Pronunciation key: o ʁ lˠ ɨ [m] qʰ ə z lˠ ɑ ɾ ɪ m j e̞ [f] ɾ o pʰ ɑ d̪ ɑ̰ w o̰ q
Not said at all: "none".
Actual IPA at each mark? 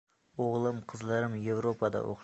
m, v

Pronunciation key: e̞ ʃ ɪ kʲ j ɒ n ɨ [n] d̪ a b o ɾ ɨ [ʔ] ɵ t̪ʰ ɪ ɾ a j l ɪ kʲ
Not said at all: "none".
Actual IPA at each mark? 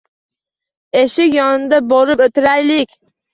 n, p

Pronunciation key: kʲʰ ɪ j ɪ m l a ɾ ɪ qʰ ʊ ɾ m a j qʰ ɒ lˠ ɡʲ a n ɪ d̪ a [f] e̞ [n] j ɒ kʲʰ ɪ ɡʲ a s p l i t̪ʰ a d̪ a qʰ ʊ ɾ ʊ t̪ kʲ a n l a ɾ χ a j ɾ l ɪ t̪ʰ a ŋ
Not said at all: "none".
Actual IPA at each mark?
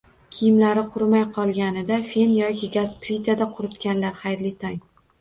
f, n

